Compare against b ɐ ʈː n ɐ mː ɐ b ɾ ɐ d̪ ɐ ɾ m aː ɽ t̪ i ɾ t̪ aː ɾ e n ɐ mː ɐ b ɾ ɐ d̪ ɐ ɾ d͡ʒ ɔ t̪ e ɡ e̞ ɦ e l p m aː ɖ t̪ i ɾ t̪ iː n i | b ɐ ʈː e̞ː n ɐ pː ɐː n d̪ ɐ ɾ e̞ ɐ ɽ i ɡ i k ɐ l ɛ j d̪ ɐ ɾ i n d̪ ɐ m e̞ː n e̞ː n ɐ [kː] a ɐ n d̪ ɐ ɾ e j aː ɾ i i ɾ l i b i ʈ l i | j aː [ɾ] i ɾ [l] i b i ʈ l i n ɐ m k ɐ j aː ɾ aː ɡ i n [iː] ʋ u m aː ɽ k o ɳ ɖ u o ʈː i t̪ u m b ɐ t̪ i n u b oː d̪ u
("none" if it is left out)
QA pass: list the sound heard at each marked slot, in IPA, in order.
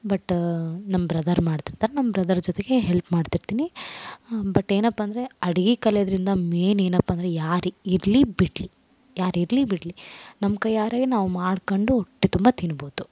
pː, ɾ, l, aː

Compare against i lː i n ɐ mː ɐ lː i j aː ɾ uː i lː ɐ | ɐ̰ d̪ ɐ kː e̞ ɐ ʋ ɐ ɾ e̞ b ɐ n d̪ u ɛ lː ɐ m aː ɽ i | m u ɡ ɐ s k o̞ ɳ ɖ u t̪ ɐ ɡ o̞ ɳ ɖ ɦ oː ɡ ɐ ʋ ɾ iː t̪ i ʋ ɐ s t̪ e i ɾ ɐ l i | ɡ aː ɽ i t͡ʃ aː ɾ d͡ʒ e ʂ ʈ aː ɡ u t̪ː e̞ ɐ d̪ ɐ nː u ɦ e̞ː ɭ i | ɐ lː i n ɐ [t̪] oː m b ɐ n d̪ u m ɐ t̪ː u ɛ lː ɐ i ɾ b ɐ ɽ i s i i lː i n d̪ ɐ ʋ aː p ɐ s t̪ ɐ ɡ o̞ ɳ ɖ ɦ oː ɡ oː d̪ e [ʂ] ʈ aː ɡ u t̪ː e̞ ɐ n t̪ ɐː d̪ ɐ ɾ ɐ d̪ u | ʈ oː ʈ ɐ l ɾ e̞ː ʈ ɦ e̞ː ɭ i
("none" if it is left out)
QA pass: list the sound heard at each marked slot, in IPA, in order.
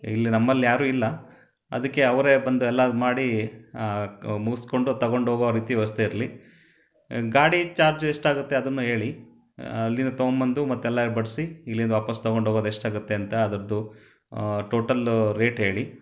t̪, ʂ

